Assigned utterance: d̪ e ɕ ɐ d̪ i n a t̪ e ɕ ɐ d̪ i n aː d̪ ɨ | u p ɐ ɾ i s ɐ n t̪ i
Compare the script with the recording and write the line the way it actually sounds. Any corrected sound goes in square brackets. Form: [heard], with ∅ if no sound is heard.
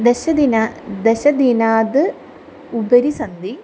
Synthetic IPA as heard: d̪ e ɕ ɐ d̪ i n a [d̪] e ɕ ɐ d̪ i n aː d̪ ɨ | u [b] ɐ ɾ i s ɐ n [d̪] i